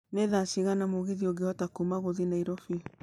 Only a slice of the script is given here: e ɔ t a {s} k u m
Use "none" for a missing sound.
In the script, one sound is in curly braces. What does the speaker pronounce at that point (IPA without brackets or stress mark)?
none